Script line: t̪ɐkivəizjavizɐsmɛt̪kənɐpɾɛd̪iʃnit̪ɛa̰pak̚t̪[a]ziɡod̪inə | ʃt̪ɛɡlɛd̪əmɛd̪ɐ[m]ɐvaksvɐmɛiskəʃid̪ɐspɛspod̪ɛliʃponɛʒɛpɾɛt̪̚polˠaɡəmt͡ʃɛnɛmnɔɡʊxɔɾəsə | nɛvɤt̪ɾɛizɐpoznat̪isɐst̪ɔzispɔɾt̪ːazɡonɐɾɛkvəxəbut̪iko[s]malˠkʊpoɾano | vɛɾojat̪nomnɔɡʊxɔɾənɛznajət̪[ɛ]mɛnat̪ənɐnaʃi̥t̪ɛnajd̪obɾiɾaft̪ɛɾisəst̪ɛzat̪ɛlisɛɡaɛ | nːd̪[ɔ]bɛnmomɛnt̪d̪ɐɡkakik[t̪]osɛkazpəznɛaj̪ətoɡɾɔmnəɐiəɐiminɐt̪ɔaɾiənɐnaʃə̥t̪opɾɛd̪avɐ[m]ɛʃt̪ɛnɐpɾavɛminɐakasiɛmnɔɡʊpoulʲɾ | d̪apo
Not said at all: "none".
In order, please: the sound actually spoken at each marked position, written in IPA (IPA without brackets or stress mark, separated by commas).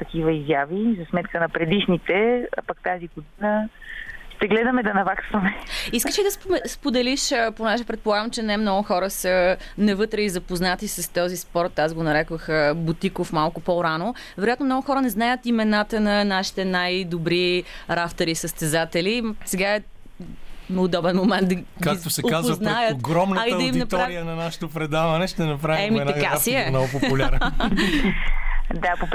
a, n, f, i, ɔ, t̪, n